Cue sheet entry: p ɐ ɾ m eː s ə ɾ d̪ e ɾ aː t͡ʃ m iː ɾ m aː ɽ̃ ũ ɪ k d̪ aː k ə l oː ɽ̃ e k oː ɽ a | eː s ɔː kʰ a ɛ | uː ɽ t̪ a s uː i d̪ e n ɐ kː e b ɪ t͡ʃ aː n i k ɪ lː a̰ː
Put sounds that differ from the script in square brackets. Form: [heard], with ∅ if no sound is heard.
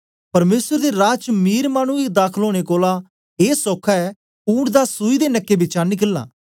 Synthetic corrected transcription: p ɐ ɾ m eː s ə ɾ d̪ e ɾ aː t͡ʃ m iː ɾ m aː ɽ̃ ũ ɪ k d̪ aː [kʰ] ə l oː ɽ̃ e k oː [l] a | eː s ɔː kʰ a ɛ | uː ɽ [d̪] a s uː i d̪ e n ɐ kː e b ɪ t͡ʃ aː n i k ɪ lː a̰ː